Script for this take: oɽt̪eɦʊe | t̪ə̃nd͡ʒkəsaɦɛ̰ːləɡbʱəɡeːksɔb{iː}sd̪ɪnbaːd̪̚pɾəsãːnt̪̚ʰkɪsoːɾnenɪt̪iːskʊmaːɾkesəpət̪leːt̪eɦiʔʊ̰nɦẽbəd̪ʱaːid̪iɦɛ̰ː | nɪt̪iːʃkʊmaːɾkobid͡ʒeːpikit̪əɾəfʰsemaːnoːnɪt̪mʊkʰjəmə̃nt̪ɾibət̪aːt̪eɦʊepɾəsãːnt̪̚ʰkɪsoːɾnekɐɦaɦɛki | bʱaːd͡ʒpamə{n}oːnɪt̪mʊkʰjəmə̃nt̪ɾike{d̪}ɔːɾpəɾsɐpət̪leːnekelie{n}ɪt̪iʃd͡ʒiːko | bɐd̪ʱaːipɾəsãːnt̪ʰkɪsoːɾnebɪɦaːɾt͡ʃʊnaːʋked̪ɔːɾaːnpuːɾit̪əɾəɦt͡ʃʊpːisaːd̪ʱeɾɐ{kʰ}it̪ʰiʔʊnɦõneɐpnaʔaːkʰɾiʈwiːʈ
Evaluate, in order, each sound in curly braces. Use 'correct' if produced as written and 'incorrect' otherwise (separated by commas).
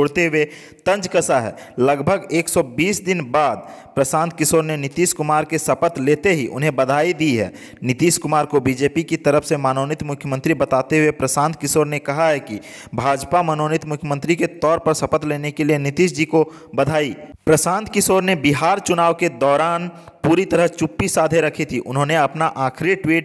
correct, correct, incorrect, correct, correct